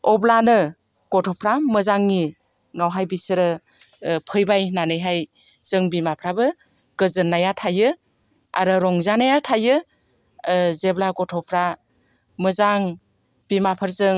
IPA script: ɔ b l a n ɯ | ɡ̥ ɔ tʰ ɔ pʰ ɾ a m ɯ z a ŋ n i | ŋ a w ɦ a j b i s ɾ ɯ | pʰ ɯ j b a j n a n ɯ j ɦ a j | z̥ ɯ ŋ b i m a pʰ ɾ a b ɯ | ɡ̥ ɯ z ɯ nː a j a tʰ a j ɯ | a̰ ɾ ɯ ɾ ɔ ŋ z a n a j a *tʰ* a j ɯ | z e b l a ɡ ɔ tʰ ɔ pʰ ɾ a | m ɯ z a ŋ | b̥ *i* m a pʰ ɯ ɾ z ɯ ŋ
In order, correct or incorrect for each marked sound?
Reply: correct, correct

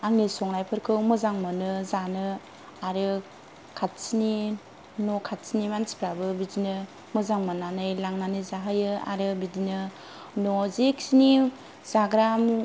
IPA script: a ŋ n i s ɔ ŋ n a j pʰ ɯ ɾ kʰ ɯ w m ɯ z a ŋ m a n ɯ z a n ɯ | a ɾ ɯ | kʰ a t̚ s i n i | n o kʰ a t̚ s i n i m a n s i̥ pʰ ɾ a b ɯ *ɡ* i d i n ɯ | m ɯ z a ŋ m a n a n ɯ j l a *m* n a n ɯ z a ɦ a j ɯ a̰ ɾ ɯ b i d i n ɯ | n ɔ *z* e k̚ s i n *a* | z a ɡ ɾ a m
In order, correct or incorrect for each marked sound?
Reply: incorrect, incorrect, correct, incorrect

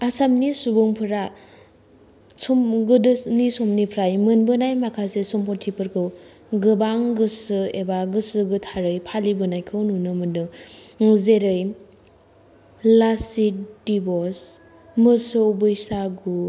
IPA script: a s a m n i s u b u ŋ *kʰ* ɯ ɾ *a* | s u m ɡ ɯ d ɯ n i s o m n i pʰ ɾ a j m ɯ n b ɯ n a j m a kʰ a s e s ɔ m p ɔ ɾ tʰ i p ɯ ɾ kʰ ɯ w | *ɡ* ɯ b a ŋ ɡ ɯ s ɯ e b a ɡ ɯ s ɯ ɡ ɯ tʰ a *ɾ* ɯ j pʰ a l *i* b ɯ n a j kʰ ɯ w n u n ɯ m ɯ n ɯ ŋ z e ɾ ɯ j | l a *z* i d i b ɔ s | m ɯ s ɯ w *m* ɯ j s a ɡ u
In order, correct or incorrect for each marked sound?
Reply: incorrect, correct, correct, correct, correct, incorrect, incorrect

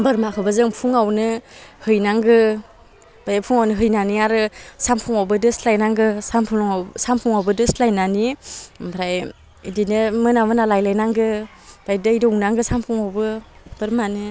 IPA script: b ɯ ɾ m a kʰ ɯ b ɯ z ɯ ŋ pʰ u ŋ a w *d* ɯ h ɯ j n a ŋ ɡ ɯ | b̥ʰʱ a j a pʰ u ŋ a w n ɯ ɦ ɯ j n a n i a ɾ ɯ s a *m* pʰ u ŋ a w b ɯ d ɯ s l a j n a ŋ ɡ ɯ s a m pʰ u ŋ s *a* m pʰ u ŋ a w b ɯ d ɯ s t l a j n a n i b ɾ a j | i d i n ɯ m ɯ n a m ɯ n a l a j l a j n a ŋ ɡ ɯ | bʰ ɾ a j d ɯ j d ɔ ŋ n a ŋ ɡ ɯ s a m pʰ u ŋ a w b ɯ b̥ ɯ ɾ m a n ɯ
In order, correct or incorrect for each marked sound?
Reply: incorrect, correct, correct

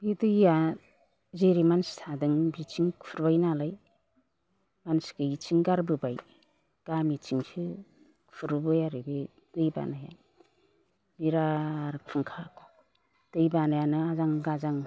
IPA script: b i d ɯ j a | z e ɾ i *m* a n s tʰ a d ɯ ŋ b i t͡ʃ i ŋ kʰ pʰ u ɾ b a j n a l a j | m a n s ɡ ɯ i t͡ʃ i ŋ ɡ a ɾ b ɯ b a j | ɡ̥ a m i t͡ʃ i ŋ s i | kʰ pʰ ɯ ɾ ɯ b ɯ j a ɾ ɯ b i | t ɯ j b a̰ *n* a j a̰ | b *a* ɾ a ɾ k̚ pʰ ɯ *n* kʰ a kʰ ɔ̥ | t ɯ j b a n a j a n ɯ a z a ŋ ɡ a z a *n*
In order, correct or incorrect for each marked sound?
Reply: correct, correct, incorrect, incorrect, incorrect

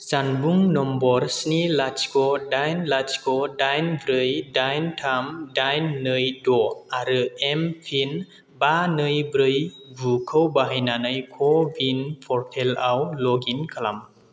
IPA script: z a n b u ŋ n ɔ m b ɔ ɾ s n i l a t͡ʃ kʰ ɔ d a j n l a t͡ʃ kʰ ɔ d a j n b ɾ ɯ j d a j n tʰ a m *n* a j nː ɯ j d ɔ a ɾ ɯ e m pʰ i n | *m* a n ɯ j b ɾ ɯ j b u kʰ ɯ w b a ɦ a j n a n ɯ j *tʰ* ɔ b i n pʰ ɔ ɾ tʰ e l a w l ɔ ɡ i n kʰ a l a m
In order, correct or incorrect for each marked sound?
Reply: incorrect, incorrect, incorrect

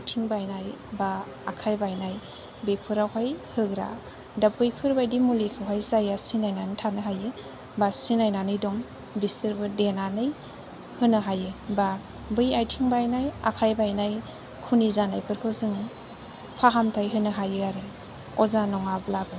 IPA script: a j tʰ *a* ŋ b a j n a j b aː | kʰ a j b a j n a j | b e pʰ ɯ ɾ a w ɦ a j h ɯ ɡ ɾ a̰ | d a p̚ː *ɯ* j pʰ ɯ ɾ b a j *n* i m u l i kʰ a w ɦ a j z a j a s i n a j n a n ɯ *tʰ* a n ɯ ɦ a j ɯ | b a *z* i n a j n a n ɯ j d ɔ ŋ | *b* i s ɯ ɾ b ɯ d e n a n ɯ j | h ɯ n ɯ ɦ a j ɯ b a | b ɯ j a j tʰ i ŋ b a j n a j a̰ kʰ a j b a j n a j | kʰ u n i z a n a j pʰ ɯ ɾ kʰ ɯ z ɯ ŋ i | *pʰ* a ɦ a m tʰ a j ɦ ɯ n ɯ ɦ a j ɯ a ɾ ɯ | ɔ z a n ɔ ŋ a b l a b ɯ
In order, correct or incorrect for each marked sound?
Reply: incorrect, correct, incorrect, correct, incorrect, correct, correct

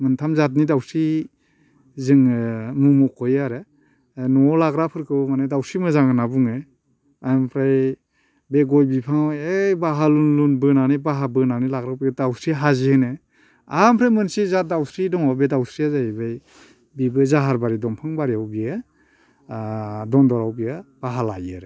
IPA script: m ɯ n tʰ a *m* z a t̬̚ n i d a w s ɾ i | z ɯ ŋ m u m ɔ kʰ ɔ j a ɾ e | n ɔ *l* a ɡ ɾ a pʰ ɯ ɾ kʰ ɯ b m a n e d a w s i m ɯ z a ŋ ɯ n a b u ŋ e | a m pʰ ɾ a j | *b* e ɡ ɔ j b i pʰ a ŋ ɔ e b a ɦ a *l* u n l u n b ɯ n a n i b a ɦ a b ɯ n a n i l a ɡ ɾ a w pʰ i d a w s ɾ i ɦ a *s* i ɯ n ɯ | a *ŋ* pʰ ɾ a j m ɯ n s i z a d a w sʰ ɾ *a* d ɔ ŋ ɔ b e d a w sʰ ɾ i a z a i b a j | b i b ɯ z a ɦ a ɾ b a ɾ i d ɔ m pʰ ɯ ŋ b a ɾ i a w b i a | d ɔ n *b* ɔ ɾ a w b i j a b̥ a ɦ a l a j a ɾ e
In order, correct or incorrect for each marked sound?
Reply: correct, correct, correct, correct, incorrect, incorrect, incorrect, incorrect

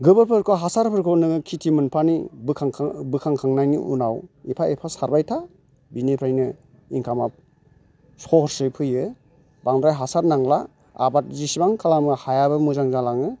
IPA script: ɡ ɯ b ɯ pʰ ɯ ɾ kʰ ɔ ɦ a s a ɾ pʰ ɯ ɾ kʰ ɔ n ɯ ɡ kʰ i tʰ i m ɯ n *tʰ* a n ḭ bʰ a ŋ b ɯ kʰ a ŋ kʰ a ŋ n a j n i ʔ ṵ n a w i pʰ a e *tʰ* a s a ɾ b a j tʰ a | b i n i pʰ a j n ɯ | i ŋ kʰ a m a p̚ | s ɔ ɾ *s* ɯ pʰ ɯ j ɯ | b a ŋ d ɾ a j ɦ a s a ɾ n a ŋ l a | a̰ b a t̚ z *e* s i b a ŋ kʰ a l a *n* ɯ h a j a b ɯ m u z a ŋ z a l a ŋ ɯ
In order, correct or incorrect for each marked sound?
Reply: incorrect, incorrect, correct, incorrect, incorrect

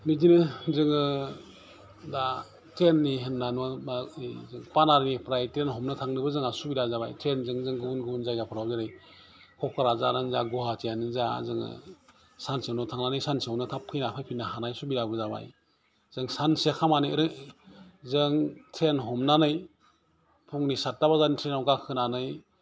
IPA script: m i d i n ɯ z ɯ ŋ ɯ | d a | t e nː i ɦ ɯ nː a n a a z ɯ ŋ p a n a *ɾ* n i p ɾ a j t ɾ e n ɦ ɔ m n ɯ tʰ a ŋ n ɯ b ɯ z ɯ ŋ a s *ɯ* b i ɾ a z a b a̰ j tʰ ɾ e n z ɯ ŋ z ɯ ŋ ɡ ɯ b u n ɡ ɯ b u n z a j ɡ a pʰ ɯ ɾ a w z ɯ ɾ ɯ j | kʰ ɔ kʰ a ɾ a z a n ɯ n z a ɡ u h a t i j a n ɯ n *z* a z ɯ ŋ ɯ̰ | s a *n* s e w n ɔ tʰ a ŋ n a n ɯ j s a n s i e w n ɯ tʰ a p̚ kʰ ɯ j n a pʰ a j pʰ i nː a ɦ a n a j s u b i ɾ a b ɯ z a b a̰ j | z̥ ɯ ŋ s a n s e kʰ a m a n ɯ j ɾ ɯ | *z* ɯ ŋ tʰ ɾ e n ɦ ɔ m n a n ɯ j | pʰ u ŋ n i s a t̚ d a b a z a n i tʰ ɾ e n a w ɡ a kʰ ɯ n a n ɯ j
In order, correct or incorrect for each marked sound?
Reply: correct, incorrect, correct, correct, correct

